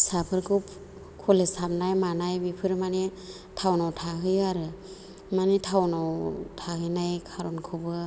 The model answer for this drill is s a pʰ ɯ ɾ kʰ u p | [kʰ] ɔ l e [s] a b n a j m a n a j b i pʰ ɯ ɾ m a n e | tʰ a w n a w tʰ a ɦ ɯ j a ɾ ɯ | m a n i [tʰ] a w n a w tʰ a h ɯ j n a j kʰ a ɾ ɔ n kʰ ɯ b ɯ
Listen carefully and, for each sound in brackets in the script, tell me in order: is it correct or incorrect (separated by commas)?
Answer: correct, correct, correct